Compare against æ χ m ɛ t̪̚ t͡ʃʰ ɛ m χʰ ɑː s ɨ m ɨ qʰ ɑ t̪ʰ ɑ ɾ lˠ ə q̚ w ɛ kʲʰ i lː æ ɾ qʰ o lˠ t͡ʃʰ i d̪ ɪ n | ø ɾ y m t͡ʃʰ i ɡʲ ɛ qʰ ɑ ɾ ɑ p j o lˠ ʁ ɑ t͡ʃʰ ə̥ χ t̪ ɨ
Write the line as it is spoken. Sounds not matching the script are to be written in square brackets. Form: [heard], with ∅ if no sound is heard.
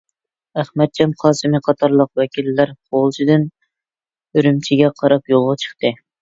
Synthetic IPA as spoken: æ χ m ɛ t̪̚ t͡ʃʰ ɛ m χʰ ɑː s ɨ m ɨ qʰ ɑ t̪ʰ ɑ ɾ lˠ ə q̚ w ɛ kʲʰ i lː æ ɾ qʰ o lˠ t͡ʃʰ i d̪ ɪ n | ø ɾ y m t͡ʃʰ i ɡʲ ɛ qʰ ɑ ɾ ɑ p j o lˠ ʁ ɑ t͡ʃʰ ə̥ χ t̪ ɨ